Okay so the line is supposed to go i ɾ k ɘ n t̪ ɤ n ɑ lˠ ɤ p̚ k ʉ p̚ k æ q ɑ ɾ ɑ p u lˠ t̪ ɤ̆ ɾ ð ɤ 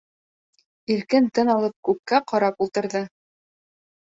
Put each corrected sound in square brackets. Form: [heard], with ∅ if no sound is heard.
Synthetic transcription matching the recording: i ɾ k ɘ n t̪ ɤ n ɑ lˠ ɤ p̚ k ʉ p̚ k æ q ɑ ɾ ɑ p u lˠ t̪ ɤ̆ ɾ ð ɤ